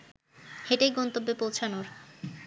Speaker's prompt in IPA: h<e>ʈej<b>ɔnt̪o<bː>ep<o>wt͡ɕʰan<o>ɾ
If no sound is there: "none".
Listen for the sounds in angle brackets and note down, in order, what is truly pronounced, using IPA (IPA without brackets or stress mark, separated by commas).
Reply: e, ɡ, bː, o, o